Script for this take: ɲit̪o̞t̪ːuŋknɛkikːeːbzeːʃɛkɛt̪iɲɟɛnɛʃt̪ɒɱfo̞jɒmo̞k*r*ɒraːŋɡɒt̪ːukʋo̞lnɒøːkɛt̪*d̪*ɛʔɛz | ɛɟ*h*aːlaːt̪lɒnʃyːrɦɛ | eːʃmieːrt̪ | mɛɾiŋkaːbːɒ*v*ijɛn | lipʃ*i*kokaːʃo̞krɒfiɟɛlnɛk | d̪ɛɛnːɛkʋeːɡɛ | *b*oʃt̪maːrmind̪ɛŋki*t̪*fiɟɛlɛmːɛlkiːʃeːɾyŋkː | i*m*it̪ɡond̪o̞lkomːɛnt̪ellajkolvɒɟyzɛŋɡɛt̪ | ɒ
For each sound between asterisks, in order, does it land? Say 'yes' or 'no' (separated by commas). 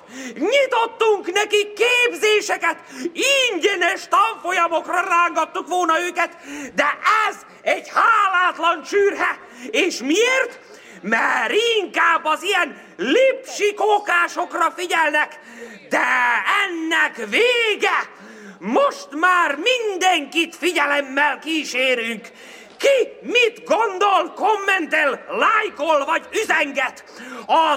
yes, yes, yes, no, yes, no, yes, yes